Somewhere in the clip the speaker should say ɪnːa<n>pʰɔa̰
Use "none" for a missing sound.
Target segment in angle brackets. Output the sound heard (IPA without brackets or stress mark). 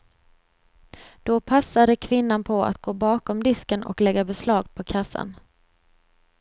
n